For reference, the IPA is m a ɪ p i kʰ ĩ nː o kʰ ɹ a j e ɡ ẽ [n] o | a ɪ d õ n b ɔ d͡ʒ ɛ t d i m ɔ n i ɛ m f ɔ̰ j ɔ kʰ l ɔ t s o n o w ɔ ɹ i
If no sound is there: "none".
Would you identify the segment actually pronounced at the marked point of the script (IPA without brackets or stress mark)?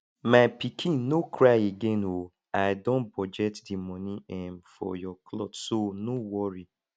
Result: n